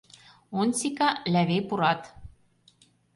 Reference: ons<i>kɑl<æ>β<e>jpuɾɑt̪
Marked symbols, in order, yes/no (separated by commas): yes, yes, yes